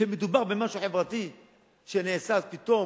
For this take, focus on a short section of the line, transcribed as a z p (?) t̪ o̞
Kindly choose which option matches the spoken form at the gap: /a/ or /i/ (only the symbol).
i